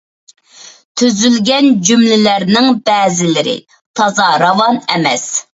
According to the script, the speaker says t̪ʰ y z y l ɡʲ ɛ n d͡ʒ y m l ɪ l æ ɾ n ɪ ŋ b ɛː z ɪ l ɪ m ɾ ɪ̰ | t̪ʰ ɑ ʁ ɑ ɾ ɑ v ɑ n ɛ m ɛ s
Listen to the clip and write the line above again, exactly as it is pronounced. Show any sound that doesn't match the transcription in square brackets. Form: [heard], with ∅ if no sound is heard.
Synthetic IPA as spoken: t̪ʰ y z y l ɡʲ ɛ n d͡ʒ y m l ɪ l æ ɾ n ɪ ŋ b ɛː z ɪ l ɪ [∅] ɾ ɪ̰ | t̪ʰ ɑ [z] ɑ ɾ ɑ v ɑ n ɛ m ɛ s